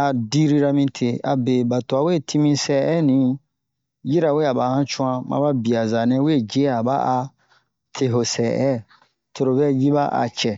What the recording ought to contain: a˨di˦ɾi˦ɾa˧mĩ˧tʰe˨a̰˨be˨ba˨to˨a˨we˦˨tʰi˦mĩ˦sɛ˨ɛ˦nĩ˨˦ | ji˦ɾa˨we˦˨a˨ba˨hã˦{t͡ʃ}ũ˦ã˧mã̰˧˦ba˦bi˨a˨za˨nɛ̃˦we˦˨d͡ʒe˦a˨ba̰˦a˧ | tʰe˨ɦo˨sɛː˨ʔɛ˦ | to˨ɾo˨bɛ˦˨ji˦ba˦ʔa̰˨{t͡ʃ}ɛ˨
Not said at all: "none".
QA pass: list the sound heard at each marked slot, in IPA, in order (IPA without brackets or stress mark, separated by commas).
t͡ʃ, t͡ʃ